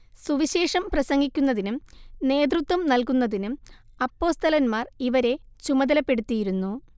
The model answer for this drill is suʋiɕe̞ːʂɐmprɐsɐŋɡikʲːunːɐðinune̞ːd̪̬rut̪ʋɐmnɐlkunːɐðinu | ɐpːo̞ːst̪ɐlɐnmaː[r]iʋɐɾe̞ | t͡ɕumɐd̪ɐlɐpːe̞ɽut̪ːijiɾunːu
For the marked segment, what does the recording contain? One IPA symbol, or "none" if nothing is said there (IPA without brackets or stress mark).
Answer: r